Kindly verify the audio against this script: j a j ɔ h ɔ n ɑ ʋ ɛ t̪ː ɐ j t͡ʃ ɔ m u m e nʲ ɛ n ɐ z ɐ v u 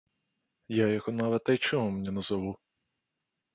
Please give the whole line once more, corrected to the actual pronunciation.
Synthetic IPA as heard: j a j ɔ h ɔ n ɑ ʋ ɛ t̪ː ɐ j t͡ʃ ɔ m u m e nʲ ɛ n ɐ z ɐ ʋ u